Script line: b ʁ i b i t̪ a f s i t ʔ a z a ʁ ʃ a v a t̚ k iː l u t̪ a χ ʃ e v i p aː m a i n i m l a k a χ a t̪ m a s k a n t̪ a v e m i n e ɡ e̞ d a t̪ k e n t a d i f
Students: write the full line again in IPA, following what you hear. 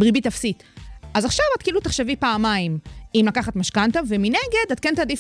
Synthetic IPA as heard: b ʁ i b i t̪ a f s i t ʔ a z a χ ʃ a v a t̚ k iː l u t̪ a χ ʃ e v i p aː m a i m i m l a k a χ a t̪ m a ʃ k a n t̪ a v e m i n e ɡ e̞ d a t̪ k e n t a d i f